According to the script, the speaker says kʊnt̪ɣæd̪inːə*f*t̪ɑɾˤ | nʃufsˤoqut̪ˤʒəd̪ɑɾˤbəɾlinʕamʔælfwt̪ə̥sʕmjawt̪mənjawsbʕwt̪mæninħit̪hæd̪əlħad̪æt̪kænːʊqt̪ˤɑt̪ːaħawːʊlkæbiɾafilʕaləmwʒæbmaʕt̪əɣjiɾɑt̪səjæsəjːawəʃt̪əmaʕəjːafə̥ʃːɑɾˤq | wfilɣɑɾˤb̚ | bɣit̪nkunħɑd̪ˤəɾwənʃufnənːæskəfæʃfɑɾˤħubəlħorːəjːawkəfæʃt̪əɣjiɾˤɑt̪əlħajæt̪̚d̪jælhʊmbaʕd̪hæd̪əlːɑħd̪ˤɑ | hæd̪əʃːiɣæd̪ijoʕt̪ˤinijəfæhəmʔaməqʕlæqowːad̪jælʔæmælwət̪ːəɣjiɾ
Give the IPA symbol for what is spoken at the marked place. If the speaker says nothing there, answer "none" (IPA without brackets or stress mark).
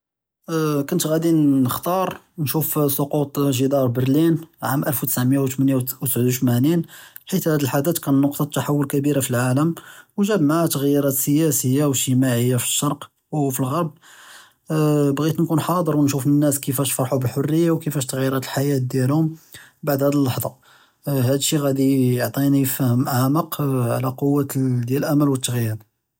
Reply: x